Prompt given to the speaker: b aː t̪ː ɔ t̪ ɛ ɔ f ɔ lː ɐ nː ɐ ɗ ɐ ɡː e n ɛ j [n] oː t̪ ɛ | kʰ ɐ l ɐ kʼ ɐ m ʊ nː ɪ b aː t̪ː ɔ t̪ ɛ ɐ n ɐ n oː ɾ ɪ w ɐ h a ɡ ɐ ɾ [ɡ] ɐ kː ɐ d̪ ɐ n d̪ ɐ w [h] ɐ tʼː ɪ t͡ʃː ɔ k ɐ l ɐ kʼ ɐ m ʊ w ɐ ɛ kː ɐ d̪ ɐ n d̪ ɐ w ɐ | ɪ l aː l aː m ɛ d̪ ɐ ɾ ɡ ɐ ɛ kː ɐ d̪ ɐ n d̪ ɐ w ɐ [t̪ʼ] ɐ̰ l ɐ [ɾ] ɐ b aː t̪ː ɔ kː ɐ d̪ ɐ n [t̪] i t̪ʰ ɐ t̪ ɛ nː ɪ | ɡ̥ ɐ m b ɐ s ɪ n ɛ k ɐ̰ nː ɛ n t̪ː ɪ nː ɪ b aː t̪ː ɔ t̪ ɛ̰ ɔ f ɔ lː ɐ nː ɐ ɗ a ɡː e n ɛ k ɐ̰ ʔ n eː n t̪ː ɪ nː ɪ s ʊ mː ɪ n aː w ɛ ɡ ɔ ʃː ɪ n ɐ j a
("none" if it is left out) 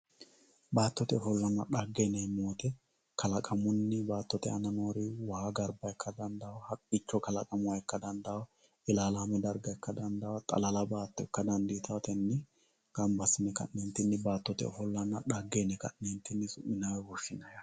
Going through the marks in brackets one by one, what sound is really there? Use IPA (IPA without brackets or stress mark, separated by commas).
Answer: m, b, h, t̪ʼ, l, d̪